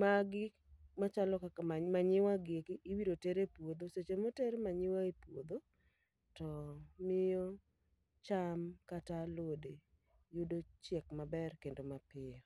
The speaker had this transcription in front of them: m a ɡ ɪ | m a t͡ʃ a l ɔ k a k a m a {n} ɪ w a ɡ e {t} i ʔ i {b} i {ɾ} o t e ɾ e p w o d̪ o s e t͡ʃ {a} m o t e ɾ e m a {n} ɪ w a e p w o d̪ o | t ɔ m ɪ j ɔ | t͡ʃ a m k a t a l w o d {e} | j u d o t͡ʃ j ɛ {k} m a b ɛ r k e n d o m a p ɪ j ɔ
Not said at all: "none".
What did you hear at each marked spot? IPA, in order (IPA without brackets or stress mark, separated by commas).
ɲ, k, w, ɾ, e, ɲ, e, k